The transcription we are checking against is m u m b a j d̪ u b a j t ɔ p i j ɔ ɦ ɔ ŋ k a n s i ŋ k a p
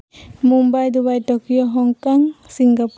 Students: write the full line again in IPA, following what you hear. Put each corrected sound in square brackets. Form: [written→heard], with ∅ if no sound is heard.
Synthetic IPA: m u m b a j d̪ u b a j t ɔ [p→k] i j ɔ ɦ ɔ ŋ k a [n→ŋ] s i ŋ [k→ɡ] a p